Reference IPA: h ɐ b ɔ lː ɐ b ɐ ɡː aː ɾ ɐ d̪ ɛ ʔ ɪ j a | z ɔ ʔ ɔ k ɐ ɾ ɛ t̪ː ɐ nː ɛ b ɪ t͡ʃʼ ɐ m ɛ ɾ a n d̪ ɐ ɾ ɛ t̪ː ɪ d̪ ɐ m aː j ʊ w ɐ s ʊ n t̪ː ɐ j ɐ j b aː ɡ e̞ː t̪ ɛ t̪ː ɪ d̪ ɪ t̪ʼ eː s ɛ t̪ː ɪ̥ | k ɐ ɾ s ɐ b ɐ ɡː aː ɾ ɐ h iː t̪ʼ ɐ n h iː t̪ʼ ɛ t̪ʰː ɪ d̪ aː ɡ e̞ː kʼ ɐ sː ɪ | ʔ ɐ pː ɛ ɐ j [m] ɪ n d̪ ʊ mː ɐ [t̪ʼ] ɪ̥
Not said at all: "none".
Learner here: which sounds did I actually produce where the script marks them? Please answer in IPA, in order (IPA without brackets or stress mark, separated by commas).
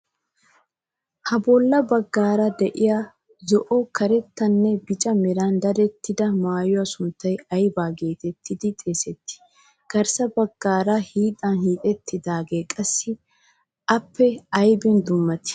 b, t̪